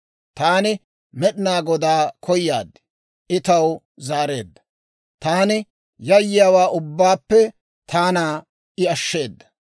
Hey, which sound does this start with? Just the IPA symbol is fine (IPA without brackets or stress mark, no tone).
t̪